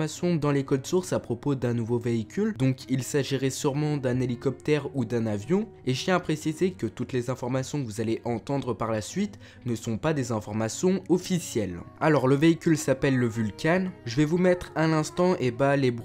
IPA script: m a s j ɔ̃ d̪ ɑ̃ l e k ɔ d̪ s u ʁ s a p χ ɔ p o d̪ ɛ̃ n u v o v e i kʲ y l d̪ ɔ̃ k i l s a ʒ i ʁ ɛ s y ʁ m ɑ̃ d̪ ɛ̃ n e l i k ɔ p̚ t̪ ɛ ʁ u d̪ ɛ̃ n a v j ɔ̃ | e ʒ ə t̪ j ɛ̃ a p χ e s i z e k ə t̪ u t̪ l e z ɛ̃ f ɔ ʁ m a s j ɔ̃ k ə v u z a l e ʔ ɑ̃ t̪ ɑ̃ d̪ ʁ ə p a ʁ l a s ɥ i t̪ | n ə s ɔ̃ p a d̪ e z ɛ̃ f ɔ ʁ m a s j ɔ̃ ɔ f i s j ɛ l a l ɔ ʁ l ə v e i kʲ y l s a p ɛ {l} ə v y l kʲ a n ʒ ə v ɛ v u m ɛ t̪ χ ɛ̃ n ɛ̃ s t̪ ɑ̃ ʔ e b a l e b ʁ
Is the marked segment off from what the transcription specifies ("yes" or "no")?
yes